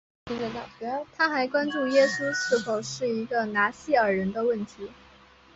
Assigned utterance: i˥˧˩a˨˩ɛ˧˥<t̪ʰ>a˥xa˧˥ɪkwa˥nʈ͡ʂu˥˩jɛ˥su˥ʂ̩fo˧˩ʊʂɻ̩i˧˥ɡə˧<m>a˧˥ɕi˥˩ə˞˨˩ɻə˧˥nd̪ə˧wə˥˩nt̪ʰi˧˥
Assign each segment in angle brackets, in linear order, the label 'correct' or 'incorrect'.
correct, incorrect: n

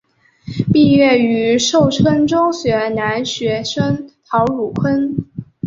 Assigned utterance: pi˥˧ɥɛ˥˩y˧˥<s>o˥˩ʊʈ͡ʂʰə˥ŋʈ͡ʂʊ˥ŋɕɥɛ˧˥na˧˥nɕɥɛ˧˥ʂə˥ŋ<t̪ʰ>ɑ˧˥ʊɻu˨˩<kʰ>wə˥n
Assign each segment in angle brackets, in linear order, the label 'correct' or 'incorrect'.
incorrect: ʂ, correct, correct

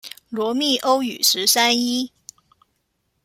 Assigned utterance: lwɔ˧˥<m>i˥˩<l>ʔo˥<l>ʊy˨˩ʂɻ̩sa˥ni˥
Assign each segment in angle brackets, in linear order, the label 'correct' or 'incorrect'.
correct, incorrect: none, incorrect: none

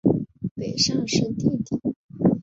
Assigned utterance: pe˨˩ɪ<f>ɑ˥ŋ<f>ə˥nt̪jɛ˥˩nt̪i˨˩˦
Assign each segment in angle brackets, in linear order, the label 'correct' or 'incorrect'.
incorrect: ʂ, incorrect: ʂ

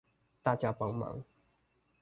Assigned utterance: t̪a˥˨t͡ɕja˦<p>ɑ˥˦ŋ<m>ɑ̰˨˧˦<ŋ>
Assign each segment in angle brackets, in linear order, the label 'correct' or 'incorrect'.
correct, correct, correct

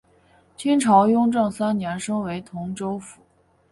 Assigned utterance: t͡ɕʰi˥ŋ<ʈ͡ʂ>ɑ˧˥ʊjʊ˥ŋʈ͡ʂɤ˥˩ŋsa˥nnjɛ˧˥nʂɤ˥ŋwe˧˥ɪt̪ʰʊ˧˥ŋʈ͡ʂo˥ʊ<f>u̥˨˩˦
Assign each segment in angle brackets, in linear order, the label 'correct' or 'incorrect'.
incorrect: ʈ͡ʂʰ, correct

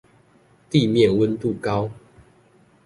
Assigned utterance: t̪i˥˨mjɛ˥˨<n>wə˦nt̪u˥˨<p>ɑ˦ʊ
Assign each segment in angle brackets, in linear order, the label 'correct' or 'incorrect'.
correct, incorrect: k

